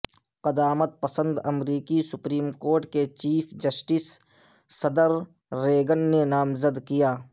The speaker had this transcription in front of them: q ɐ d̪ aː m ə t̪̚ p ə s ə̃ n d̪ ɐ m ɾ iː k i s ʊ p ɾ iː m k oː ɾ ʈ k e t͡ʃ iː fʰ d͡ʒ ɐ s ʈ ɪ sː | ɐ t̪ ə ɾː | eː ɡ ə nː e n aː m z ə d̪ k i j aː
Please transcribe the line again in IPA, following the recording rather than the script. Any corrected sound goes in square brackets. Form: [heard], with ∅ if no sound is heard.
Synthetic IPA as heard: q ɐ d̪ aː m ə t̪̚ p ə s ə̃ n d̪ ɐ m ɾ iː k i s ʊ p ɾ iː m k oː ɾ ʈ k e t͡ʃ iː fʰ d͡ʒ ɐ s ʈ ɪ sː | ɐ [d̪] ə ɾː | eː ɡ ə nː e n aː m z ə d̪ k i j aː